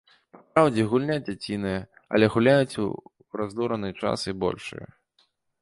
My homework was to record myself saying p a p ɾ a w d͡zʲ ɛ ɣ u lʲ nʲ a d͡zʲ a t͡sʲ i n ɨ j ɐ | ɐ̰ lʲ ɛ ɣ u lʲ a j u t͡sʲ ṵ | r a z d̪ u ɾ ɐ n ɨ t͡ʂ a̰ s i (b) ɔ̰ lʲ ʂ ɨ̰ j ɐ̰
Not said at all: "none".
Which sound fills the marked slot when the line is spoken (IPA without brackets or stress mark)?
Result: b